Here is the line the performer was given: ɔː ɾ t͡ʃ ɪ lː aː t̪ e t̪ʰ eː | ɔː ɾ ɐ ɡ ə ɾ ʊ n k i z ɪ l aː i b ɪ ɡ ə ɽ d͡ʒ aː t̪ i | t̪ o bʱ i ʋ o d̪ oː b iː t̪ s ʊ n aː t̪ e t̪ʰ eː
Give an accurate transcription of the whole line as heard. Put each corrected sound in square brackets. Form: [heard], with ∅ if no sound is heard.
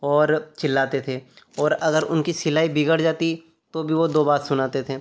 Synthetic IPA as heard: ɔː ɾ t͡ʃ ɪ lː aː t̪ e t̪ʰ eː | ɔː ɾ ɐ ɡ ə ɾ ʊ n k i [s] ɪ l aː i b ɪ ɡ ə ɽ d͡ʒ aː t̪ i | t̪ o bʱ i ʋ o d̪ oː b [aː] t̪ s ʊ n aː t̪ e t̪ʰ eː